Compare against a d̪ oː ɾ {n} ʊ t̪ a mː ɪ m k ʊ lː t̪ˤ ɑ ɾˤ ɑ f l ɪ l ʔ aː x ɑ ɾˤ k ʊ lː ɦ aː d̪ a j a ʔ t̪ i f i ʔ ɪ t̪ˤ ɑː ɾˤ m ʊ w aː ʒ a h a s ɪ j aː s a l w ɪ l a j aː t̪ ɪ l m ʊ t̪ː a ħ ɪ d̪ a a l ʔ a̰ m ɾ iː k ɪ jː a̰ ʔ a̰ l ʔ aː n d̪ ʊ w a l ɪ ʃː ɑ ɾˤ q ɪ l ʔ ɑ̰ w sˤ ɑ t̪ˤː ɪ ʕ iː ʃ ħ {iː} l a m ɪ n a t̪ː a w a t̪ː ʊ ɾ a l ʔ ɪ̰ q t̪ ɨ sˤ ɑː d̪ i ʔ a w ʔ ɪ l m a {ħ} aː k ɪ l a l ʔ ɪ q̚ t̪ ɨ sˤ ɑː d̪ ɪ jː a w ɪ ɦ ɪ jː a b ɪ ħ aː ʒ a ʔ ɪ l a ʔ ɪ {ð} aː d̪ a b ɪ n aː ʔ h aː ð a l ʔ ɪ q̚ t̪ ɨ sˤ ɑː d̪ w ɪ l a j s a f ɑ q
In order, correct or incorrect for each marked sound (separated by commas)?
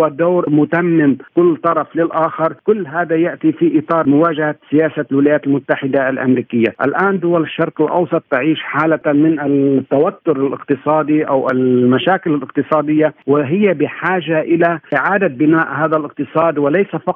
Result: incorrect, incorrect, incorrect, incorrect